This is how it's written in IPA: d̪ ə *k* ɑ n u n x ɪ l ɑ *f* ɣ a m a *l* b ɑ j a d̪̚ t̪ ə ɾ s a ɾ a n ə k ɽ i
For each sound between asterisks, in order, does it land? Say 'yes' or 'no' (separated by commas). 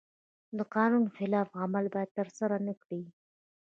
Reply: no, yes, yes